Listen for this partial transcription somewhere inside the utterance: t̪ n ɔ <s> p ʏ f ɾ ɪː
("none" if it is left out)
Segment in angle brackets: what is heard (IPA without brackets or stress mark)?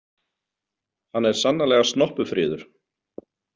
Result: h